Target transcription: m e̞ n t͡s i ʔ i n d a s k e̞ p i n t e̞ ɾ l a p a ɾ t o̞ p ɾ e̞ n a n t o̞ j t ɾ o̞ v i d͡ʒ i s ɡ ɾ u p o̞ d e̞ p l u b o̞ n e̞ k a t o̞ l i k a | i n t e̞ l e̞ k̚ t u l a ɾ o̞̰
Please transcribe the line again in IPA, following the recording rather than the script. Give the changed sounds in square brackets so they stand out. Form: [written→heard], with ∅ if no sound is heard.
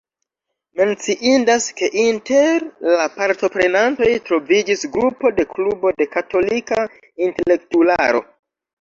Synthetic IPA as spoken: m e̞ n t͡s i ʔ i n d a s k e̞ [p→ʔ] i n t e̞ ɾ l a p a ɾ t o̞ p ɾ e̞ n a n t o̞ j t ɾ o̞ v i d͡ʒ i s ɡ ɾ u p o̞ d e̞ [p→k] l u b o̞ [n→d] e̞ k a t o̞ l i k a | i n t e̞ l e̞ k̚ t u l a ɾ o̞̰